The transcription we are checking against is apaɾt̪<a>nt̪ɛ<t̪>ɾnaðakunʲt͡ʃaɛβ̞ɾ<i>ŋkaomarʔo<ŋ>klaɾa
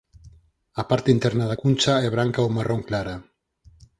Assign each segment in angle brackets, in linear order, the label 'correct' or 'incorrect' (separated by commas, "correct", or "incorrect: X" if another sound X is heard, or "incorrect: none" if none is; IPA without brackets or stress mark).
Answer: incorrect: i, incorrect: none, incorrect: a, correct